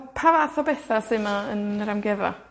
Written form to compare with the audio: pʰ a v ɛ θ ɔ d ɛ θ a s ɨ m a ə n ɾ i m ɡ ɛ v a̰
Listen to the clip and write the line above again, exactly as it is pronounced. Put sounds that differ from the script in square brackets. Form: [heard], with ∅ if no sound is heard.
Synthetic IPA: pʰ a v [a] θ ɔ [b] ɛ θ a s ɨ m a ə n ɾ [a] m ɡ ɛ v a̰